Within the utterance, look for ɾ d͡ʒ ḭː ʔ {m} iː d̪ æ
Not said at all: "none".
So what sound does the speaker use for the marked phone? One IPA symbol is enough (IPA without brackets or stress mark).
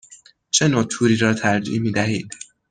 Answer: m